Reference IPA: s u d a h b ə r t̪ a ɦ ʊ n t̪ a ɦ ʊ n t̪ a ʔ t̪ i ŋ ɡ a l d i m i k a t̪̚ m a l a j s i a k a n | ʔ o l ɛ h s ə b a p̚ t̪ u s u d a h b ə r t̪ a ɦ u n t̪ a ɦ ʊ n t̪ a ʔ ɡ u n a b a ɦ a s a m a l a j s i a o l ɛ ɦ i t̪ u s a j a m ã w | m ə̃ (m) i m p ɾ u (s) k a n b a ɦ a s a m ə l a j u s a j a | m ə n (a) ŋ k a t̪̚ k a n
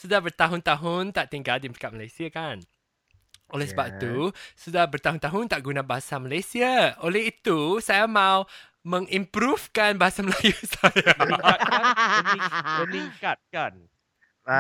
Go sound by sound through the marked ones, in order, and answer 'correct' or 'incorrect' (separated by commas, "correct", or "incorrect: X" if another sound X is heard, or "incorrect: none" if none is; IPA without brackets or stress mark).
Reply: incorrect: ŋ, incorrect: f, incorrect: i